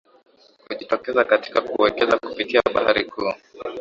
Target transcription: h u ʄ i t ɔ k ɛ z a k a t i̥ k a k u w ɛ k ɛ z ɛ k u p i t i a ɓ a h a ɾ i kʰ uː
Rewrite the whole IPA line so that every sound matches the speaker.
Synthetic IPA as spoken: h u ʄ i t ɔ k ɛ z a k a t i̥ k a k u w ɛ k ɛ z a k u p i t i a ɓ a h a ɾ i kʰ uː

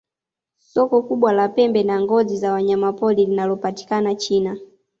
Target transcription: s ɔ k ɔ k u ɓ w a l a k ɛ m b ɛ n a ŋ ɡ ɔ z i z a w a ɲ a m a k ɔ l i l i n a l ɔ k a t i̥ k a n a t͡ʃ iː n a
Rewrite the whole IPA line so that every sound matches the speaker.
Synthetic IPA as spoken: s ɔ k ɔ k u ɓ w a l a p ɛ m b ɛ n a ŋ ɡ ɔ z i z a w a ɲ a m a p ɔ l i l i n a l ɔ p a t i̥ k a n a t͡ʃ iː n a

